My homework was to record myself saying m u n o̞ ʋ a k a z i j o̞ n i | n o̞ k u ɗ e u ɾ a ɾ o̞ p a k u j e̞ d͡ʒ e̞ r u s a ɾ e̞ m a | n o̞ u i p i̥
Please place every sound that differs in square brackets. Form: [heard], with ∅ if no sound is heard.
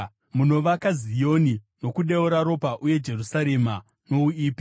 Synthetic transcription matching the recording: m u n o̞ ʋ a k a z i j o̞ n i | n o̞ k u ɗ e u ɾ a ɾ o̞ p a [ʔ] u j e̞ d͡ʒ e̞ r u s a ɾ e̞ m a | n o̞ u [iː] p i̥